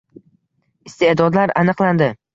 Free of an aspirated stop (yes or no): yes